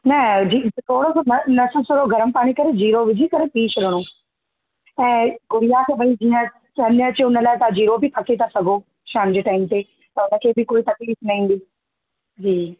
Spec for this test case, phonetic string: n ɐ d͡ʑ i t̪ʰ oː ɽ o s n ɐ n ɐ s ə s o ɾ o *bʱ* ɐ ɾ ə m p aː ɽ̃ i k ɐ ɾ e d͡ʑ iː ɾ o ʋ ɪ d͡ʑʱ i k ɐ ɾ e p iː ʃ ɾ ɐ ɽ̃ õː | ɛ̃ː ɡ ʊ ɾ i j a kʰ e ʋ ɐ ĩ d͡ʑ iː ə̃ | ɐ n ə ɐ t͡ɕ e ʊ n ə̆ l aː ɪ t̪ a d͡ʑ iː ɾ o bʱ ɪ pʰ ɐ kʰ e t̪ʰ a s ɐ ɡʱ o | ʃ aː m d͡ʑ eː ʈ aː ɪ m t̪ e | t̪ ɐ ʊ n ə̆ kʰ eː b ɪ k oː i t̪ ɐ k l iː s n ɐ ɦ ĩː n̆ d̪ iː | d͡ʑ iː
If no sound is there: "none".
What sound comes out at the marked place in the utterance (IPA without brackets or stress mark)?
ɡʱ